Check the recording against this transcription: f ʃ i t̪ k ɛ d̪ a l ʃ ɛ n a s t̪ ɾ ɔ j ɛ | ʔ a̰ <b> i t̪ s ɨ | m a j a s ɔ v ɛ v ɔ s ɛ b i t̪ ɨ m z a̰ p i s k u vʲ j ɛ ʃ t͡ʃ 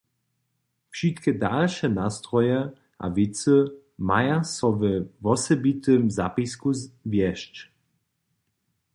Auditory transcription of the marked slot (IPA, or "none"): v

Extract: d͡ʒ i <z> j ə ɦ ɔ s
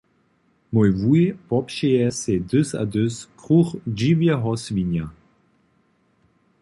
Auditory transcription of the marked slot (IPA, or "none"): v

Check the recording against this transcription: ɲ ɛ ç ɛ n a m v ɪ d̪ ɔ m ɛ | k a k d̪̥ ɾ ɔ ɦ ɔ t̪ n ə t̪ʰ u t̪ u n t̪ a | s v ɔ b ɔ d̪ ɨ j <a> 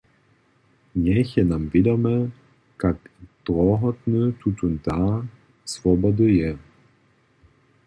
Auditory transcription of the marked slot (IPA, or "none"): ɛ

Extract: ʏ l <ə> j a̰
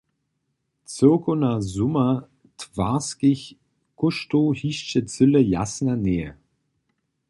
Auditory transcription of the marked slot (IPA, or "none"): ə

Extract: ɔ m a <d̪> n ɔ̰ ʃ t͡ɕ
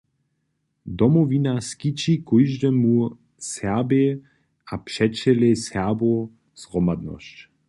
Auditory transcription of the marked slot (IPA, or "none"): d̪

